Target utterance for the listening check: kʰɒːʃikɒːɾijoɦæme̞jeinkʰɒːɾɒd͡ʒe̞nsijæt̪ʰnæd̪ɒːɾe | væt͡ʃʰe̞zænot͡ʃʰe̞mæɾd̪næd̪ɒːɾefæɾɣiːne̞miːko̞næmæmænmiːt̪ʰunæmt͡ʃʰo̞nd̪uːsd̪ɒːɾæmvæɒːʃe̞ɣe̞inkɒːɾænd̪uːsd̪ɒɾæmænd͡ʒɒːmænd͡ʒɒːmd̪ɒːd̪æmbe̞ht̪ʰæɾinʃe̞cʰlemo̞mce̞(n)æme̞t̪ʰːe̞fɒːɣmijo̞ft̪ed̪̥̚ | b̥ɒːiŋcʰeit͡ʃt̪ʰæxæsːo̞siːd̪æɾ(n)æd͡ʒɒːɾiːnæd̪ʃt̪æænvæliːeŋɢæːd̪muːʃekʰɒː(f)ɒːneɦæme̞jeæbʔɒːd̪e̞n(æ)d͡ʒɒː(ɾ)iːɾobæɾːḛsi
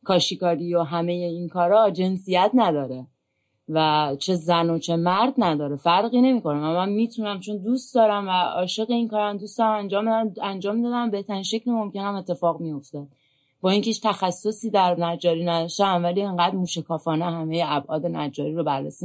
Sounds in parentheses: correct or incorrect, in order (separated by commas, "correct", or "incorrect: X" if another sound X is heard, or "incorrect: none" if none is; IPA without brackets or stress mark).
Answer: correct, correct, correct, correct, correct